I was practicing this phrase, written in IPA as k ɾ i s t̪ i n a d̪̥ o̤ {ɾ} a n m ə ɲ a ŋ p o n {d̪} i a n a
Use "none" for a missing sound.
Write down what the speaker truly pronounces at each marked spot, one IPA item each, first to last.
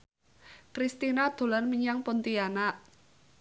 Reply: l, t̪

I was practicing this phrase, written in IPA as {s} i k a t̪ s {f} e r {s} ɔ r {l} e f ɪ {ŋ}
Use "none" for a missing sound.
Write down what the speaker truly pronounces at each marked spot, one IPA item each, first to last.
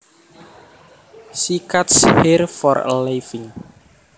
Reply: s, h, f, l, ŋ

